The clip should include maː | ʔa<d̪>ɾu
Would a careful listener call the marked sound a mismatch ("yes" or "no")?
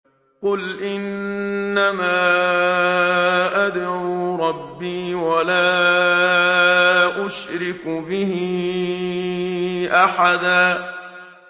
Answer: no